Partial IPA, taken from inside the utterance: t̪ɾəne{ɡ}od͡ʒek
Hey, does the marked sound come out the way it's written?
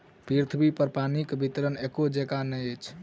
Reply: no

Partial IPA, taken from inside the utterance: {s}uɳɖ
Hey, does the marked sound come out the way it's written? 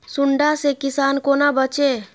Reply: yes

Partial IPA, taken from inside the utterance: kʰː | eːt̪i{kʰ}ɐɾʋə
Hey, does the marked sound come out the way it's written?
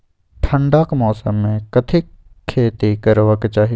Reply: no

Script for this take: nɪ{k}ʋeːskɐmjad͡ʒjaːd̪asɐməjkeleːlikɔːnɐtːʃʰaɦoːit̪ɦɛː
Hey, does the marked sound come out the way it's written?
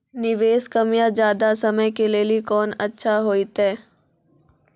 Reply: no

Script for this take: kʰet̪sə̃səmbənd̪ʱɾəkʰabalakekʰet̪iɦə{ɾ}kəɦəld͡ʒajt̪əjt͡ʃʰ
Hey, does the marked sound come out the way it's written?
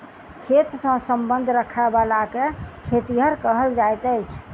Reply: yes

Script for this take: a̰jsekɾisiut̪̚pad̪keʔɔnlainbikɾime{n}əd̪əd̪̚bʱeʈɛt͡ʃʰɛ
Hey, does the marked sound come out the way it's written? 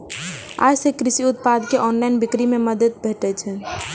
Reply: no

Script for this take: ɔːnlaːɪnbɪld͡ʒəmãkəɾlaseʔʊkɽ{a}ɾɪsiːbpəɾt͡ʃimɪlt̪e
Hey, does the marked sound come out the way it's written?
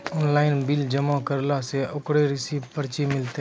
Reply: no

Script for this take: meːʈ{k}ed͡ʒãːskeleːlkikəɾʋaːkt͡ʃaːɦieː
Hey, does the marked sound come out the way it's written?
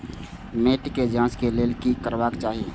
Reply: yes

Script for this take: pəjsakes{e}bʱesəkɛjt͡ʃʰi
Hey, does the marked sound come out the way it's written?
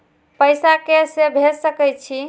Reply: yes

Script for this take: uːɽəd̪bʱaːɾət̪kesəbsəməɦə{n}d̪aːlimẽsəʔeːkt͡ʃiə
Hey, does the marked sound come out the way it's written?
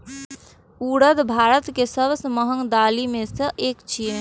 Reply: no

